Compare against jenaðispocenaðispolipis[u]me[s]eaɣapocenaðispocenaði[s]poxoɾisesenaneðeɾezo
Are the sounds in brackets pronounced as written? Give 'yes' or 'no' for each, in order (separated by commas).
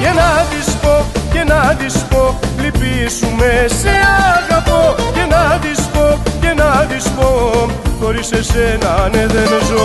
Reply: yes, yes, yes